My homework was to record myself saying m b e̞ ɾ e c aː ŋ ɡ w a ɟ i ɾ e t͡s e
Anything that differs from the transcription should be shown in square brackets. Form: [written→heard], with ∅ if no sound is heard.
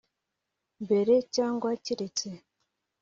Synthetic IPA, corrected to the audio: m b e̞ ɾ e c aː ŋ ɡ w a [ɟ→c] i ɾ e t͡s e